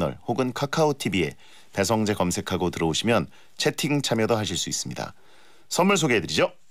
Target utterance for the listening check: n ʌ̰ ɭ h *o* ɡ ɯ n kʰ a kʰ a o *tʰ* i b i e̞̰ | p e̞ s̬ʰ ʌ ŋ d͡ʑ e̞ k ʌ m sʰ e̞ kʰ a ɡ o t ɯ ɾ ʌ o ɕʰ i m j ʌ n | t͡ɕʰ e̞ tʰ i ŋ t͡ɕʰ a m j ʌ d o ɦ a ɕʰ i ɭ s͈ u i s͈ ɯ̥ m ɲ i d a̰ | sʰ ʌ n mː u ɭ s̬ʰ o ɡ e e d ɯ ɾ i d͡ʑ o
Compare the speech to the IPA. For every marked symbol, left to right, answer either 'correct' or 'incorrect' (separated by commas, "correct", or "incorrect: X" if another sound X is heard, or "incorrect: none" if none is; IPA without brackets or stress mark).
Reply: correct, correct